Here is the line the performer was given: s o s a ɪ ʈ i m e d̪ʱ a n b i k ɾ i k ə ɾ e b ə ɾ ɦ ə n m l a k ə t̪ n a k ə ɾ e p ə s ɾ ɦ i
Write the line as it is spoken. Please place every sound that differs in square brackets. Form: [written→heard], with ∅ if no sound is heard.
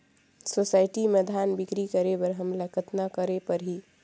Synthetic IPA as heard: s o s a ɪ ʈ i m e d̪ʱ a n b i k ɾ i k ə ɾ e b ə ɾ ɦ ə [n→∅] m l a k ə t̪ n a k ə ɾ e p ə [s→∅] ɾ ɦ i